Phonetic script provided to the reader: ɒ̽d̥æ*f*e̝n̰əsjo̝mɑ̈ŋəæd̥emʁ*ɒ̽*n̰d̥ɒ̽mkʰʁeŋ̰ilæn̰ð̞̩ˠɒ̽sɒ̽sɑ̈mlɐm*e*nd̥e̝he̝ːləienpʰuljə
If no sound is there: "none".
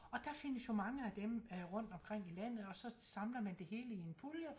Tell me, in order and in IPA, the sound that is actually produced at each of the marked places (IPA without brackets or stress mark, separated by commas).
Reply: f, ɔ̽, æ